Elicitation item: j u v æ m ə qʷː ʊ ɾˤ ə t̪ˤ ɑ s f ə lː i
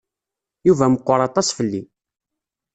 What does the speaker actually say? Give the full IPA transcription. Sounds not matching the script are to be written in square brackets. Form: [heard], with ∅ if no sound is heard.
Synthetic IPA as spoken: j u v æ m ə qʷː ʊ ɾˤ [ɑ] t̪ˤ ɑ s f ə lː i